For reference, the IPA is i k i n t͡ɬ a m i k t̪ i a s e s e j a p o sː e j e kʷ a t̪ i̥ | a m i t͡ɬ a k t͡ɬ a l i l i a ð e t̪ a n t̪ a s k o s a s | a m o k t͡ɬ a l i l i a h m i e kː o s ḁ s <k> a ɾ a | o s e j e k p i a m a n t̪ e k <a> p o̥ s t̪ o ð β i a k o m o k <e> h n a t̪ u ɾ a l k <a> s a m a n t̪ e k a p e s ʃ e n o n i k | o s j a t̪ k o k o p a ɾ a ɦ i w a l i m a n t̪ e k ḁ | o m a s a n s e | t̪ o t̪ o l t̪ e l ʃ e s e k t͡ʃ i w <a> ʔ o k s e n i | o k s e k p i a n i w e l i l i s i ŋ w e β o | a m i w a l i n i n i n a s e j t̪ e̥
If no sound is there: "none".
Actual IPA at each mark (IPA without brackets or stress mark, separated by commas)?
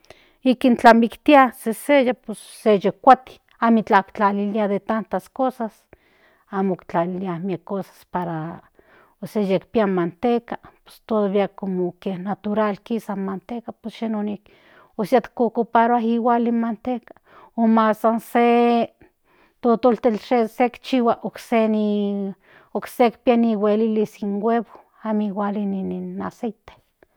p, a, e, i, a